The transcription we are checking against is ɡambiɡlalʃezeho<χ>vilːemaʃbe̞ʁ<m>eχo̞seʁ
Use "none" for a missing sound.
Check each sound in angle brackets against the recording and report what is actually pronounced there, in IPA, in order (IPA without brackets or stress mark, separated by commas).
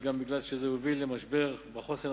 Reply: none, b